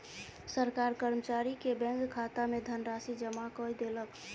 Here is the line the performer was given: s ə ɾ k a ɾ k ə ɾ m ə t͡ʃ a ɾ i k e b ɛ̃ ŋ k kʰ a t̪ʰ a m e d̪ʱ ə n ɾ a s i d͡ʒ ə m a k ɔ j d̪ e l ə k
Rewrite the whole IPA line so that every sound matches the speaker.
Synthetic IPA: s ə ɾ k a ɾ k ə ɾ m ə t͡ʃ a ɾ i k e b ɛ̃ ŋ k kʰ a t̪ a m e d̪ʱ ə n ɾ a s i d͡ʒ ə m a k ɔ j d̪ e l ə k